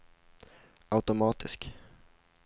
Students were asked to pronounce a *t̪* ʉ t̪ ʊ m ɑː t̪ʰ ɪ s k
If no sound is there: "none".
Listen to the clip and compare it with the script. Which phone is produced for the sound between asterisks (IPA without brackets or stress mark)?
none